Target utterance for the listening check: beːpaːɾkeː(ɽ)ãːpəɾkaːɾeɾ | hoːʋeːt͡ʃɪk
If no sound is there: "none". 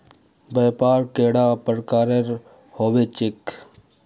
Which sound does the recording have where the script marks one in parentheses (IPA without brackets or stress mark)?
ɽ